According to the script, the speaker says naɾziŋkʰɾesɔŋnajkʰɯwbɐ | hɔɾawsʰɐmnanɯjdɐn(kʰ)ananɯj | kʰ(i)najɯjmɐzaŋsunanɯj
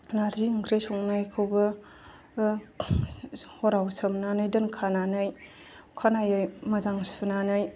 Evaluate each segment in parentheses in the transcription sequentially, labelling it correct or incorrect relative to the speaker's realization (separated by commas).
correct, incorrect